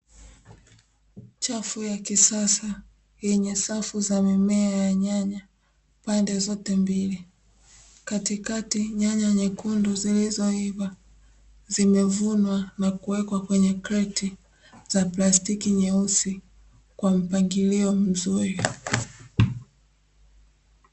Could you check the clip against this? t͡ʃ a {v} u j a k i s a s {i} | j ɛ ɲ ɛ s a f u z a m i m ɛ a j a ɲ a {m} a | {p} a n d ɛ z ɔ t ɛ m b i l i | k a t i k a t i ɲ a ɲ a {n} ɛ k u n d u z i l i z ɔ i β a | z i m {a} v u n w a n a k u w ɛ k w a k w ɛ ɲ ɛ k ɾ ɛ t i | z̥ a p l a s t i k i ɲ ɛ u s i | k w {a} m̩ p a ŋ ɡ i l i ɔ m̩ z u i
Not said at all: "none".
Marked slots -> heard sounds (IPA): f, a, ɲ, p, ɲ, ɛ, a

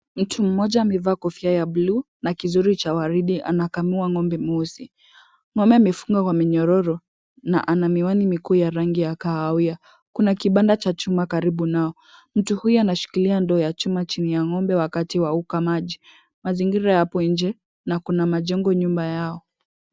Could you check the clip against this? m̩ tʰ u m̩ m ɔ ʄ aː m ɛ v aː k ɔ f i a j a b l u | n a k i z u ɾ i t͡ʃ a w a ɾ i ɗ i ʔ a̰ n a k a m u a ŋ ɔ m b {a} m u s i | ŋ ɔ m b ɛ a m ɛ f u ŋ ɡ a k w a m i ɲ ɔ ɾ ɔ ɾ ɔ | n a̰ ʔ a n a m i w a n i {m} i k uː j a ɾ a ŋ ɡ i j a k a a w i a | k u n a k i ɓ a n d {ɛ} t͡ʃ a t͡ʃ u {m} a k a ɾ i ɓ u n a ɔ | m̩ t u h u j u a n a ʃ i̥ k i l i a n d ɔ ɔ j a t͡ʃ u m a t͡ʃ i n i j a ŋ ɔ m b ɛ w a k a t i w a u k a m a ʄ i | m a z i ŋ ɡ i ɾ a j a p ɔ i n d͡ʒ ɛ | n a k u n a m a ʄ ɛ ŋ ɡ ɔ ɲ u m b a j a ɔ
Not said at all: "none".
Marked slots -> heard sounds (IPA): ɛ, m, a, m

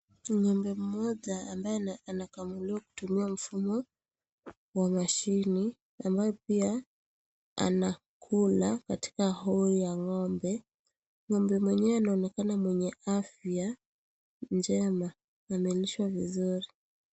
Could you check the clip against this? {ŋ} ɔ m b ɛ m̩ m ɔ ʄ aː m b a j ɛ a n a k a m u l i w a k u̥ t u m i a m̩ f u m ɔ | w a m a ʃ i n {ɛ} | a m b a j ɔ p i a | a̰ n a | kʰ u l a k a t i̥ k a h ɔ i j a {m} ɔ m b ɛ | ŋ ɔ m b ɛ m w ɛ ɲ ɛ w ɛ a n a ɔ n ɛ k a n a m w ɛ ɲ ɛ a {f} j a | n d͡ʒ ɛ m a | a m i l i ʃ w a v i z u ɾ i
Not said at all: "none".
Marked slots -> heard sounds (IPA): ɲ, i, ŋ, f

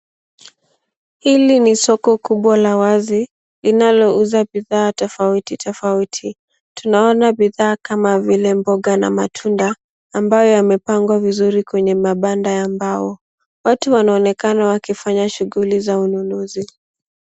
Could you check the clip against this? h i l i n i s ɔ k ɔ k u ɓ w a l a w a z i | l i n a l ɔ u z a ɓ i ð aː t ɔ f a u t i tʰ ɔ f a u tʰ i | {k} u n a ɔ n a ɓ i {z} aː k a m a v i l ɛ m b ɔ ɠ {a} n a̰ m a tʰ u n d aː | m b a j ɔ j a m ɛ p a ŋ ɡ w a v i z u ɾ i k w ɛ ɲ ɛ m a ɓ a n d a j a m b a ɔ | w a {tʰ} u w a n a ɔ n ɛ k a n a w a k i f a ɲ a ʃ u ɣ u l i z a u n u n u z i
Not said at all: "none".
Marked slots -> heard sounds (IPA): t, ð, a, t

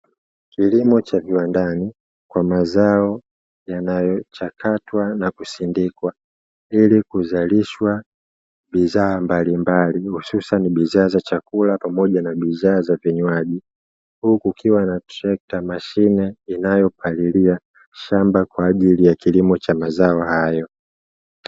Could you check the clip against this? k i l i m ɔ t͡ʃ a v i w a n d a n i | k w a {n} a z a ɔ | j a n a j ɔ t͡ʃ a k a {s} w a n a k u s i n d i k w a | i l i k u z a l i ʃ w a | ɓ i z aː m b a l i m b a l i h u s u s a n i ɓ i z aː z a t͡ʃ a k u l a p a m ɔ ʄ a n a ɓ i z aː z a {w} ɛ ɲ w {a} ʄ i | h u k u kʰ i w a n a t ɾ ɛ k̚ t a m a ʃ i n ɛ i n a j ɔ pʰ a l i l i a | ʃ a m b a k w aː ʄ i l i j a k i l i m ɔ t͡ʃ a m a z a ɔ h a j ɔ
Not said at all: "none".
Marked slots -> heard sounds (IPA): m, t, v, a

